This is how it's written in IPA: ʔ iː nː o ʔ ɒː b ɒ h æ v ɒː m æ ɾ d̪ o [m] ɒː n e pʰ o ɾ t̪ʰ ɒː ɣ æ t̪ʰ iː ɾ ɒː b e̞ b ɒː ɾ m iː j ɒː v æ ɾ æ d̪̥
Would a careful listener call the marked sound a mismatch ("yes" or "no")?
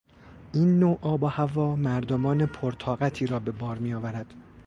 no